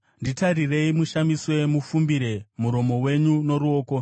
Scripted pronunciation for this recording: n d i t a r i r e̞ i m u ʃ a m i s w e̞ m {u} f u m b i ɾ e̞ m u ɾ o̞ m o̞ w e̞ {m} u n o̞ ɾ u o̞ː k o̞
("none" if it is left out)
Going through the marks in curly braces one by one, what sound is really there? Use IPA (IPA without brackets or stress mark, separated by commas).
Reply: u, ɲ